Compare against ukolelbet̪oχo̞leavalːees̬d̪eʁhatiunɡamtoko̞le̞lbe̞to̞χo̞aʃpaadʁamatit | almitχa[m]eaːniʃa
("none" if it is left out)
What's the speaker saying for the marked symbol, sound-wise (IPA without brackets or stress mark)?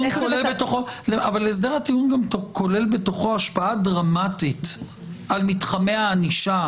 m